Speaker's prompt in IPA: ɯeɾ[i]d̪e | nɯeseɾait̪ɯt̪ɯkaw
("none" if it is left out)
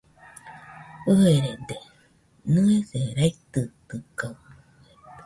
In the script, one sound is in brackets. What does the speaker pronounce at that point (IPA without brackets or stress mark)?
e